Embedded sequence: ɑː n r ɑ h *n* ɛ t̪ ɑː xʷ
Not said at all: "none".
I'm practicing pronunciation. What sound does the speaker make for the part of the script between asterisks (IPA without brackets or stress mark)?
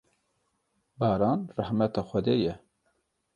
m